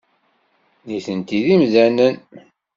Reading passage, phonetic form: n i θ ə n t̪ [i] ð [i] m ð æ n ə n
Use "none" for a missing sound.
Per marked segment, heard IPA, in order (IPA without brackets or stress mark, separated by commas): i, i